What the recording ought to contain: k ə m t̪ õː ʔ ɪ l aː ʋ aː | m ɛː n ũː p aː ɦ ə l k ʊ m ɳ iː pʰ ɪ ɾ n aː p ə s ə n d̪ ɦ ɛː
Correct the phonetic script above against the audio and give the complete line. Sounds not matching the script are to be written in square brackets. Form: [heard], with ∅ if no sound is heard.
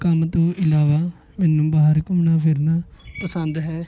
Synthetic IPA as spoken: k ə m t̪ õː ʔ ɪ l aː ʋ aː | m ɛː n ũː [b] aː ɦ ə [ɾ] k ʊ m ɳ [aː] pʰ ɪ ɾ n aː p ə s ə n d̪ ɦ ɛː